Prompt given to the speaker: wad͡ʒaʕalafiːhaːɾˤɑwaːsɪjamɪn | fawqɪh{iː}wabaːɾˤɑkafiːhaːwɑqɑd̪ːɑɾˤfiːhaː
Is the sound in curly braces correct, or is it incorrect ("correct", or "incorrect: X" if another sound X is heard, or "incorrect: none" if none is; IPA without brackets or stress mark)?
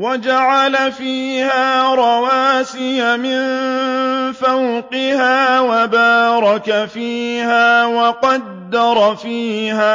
incorrect: aː